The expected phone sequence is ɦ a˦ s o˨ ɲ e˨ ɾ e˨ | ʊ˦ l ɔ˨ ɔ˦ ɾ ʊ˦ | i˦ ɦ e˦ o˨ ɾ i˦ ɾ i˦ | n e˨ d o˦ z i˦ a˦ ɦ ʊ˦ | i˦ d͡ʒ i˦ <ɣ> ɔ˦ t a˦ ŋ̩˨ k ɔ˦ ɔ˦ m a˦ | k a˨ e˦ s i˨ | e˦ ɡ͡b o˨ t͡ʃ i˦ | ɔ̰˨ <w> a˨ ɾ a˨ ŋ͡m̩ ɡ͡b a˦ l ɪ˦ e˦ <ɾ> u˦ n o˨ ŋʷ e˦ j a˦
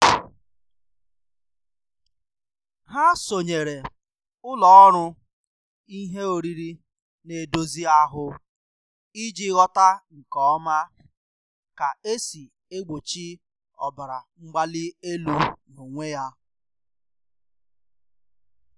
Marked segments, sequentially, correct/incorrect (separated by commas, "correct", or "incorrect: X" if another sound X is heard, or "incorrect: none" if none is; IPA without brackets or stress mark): correct, incorrect: b, incorrect: l